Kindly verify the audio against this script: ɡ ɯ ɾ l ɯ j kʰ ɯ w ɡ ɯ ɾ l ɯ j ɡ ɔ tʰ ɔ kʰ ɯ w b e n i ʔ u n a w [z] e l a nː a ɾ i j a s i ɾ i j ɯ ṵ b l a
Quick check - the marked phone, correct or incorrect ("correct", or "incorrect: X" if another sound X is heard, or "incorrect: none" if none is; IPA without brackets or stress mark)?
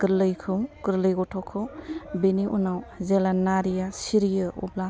correct